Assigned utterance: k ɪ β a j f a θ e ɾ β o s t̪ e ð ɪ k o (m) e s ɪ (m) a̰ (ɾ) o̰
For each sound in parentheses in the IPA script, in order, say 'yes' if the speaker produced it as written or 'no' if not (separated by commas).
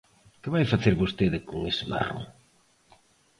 no, yes, no